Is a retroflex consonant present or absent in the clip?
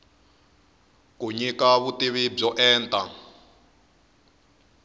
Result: present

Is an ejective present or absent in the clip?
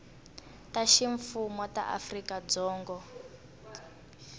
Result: absent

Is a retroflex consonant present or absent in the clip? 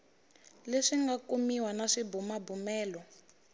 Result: present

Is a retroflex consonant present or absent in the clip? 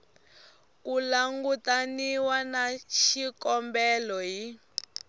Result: absent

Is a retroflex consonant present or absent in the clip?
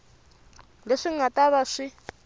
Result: present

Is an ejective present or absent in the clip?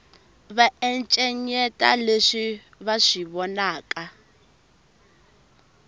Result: present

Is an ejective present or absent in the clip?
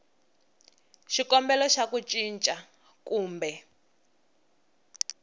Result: present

